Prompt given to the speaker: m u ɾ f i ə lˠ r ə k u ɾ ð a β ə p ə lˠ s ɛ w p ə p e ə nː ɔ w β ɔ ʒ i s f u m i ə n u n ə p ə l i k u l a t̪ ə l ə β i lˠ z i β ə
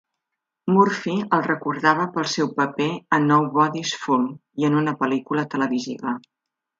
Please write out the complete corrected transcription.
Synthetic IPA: m u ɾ f i ə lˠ r ə k u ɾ ð a β ə p ə lˠ s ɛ w p ə p e ə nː ɔ w β ɔ ð i s f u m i ə n u n ə p ə l i k u l ə t̪ ə l ə β i z i β ə